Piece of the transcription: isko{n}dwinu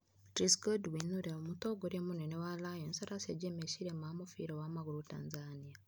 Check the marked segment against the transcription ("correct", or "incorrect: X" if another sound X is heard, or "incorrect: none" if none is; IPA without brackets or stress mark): incorrect: none